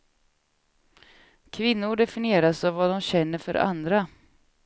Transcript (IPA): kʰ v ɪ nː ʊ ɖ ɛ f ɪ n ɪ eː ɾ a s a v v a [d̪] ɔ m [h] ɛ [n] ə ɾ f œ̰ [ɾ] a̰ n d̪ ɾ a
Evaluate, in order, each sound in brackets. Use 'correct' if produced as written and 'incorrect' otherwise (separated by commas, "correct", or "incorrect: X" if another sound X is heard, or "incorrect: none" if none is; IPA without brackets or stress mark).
correct, incorrect: ɕ, incorrect: nː, correct